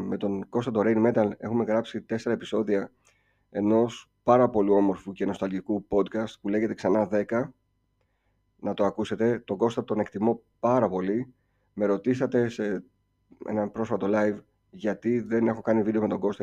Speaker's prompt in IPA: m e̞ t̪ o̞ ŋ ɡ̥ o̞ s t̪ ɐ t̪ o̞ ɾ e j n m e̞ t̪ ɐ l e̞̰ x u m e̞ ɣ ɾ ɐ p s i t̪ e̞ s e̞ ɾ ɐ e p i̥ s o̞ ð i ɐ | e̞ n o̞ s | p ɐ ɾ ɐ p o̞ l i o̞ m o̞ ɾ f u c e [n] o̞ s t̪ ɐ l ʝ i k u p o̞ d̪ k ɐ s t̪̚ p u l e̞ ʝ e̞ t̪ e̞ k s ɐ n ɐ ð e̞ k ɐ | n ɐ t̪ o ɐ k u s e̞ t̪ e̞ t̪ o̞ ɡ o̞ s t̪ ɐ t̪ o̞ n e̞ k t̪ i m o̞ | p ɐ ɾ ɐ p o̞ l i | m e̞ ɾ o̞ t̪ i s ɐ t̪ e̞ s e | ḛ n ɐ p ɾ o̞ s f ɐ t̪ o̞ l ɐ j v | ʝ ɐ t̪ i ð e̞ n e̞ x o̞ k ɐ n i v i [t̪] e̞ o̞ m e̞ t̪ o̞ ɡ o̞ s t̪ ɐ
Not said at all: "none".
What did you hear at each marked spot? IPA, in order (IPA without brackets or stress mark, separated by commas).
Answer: n, d̪